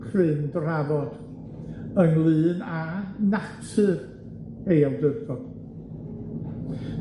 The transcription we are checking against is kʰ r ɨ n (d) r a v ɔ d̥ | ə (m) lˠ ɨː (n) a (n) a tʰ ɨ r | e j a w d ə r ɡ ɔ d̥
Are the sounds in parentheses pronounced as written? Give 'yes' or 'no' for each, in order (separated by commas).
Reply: yes, no, yes, yes